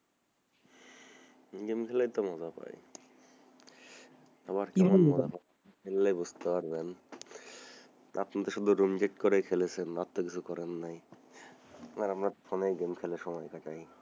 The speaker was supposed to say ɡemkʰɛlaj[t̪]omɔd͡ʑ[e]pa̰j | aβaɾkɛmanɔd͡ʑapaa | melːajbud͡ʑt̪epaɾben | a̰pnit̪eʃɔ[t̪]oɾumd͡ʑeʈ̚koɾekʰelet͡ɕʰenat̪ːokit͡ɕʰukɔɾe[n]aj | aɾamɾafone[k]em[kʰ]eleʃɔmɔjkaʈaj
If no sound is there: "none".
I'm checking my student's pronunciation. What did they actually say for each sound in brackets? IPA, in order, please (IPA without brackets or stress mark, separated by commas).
t̪, a, d̪, nː, ɡ, kʰ